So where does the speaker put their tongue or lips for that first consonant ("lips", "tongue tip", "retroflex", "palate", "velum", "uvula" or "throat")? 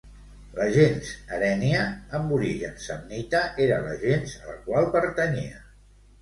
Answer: tongue tip